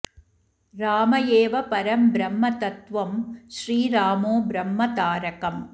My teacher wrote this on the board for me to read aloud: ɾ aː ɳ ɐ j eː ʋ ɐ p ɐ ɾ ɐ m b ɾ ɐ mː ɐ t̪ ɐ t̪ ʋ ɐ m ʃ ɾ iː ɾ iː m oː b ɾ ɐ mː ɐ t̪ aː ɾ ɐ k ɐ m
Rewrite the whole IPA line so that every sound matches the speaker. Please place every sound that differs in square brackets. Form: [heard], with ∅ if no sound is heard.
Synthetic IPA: ɾ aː [m] ɐ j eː ʋ ɐ p ɐ ɾ ɐ m b ɾ ɐ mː ɐ t̪ ɐ t̪ ʋ ɐ m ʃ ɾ iː ɾ [aː] m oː b ɾ ɐ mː ɐ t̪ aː ɾ ɐ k ɐ m

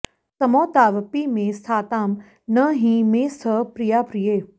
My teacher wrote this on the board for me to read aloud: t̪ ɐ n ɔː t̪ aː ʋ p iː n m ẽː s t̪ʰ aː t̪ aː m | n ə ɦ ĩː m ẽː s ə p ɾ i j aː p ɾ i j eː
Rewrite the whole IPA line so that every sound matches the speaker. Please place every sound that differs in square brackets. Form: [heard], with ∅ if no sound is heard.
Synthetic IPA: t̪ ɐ [m] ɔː t̪ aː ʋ p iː [∅] m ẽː s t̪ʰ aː t̪ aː m | n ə ɦ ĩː m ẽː s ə p ɾ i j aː p ɾ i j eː

